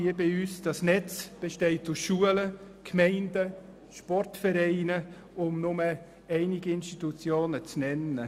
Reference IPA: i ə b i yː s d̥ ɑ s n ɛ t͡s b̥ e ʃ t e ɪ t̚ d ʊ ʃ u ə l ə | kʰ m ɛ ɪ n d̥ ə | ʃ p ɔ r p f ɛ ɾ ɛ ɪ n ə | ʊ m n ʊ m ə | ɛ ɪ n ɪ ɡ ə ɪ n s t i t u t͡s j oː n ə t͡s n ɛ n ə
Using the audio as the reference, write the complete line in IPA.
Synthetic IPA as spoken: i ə b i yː s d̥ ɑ s n ɛ t͡s b̥ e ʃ t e ɪ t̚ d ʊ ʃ u ə l ə | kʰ m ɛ ɪ n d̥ ə | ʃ p ɔ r t f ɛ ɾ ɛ ɪ n ə | ʊ m n ʊ m ə | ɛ ɪ n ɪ ɡ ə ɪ n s t i t u t͡s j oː n ə t͡s n ɛ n ə